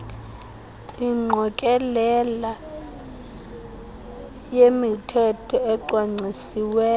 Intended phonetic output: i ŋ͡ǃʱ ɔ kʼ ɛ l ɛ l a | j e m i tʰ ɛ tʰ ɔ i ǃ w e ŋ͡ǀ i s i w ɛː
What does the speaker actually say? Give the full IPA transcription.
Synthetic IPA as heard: i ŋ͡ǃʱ ɔ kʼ ɛ l ɛ l a | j e m i tʰ ɛ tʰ ɔ ɛ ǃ w a ŋ͡ǀ i s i w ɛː